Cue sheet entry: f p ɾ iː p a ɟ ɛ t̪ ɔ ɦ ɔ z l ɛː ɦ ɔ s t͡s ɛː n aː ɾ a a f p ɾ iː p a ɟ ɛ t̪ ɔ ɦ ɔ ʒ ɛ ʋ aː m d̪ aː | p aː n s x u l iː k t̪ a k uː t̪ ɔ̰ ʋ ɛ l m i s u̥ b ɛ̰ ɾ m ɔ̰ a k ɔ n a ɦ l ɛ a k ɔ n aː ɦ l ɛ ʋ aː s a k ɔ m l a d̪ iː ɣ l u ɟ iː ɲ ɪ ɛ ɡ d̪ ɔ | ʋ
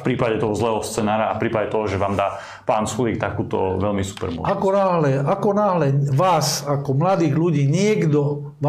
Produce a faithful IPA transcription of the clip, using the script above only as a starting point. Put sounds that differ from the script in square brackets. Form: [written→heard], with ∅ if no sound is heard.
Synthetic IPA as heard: f p ɾ iː p a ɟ ɛ t̪ ɔ ɦ ɔ z l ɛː ɦ ɔ s t͡s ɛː n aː ɾ a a f p ɾ iː p a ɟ ɛ t̪ ɔ ɦ ɔ ʒ ɛ ʋ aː m d̪ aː | p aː n s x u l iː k t̪ a k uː t̪ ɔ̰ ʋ ɛ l m i s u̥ [b→p] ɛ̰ ɾ m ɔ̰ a k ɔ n a ɦ l ɛ a k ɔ n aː ɦ l ɛ ʋ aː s a k ɔ m l a d̪ iː ɣ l u ɟ iː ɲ ɪ ɛ ɡ d̪ ɔ | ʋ